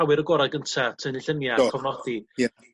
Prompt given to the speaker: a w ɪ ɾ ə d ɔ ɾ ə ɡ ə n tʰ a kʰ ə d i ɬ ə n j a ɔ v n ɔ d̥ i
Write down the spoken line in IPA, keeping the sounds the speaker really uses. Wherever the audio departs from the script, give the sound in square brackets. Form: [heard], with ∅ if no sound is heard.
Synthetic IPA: a w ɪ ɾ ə [ɡ] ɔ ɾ [a] ɡ ə n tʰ a [tʰ] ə [n] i ɬ ə n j a ɔ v n ɔ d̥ i